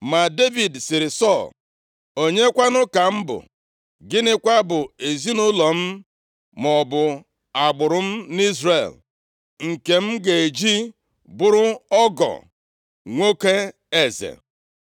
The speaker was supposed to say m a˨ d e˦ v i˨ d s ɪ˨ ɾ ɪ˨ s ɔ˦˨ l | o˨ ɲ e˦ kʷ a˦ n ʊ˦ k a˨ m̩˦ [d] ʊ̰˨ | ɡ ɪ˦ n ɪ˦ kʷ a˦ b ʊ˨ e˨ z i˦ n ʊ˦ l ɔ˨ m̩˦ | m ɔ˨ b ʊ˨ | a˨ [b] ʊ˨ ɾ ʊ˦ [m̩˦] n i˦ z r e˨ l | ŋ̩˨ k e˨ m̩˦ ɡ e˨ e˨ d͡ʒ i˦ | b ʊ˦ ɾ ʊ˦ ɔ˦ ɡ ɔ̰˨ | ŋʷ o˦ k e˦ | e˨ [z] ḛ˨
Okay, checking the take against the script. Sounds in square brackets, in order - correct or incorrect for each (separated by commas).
incorrect, incorrect, correct, correct